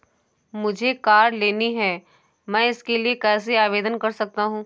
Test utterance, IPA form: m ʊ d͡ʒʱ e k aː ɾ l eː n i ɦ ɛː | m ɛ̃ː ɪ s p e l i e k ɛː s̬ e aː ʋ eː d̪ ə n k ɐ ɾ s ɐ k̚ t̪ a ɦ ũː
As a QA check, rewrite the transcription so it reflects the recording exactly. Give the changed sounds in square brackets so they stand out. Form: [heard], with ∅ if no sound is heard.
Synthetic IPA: m ʊ d͡ʒʱ e k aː ɾ l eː n i ɦ ɛː | m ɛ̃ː ɪ s [k] e l i e k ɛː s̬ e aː ʋ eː d̪ ə n k ɐ ɾ s ɐ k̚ t̪ a ɦ ũː